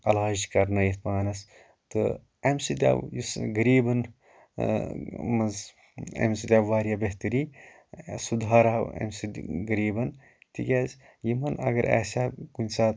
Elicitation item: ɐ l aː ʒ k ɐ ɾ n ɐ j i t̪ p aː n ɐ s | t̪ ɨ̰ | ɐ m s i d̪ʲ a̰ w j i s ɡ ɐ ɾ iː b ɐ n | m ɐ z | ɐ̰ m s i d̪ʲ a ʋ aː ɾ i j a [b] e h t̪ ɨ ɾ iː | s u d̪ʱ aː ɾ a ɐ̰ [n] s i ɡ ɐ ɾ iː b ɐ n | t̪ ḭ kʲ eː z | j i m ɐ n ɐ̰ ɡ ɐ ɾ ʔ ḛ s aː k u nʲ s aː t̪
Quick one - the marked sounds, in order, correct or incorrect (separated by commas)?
correct, incorrect